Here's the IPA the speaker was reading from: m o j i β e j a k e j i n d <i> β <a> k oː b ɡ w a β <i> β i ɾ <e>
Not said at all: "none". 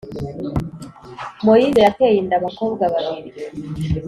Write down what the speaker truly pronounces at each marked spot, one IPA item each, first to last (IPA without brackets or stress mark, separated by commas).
a, a, a, i